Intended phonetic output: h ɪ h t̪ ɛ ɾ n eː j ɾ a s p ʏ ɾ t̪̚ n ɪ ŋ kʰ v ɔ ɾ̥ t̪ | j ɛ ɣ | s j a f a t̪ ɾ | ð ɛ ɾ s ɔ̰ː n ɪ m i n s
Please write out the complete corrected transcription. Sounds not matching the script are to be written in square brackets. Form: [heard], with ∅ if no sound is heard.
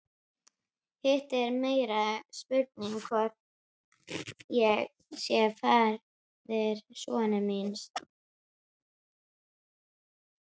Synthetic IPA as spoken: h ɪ h t̪ ɛ ɾ [m] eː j ɾ a s p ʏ ɾ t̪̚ n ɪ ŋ kʰ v ɔ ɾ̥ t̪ | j ɛ ɣ | s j [ɛ] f a [∅] ɾ | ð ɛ ɾ s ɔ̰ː n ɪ m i n s